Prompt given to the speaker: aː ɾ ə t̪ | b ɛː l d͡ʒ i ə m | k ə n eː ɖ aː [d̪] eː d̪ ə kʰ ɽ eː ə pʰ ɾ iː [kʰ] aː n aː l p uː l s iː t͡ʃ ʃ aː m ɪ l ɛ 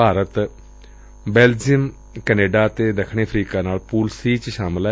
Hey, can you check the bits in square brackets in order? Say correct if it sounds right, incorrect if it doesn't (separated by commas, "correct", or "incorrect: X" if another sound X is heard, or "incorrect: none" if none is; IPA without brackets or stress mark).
incorrect: t̪, incorrect: k